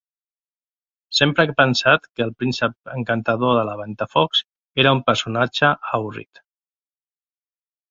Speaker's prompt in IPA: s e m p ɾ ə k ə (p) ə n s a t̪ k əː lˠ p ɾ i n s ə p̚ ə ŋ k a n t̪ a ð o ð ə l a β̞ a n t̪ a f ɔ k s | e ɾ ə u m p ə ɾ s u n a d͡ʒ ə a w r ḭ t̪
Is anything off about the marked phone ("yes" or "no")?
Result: no